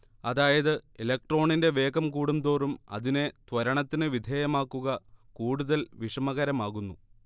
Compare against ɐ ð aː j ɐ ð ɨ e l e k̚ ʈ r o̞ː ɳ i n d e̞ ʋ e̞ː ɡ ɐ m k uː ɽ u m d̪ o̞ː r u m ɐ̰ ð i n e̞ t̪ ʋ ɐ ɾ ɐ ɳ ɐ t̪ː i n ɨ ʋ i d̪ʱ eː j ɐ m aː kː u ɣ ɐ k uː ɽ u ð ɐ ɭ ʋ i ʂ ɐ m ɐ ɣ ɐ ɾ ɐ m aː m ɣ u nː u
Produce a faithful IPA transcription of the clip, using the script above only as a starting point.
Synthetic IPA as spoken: ɐ ð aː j ɐ ð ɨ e l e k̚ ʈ r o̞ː ɳ i n d e̞ ʋ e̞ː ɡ ɐ m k uː ɽ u m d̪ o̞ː r u m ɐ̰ ð i n e̞ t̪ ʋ ɐ ɾ ɐ ɳ ɐ t̪ː i n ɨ ʋ i d̪ʱ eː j ɐ m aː kː u ɣ ɐ k uː ɽ u ð ɐ l ʋ i ʂ ɐ m ɐ ɣ ɐ ɾ ɐ m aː ɣ u nː u